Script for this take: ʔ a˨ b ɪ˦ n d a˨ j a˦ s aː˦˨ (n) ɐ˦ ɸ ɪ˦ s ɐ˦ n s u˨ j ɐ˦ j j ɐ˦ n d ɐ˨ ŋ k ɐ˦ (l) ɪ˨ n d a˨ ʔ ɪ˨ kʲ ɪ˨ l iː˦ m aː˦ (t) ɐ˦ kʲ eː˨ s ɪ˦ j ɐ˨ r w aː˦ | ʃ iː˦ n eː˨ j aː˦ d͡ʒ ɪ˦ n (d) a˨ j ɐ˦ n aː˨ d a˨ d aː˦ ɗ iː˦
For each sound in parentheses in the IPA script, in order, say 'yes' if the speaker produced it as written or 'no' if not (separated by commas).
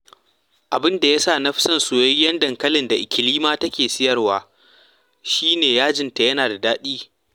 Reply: yes, yes, yes, no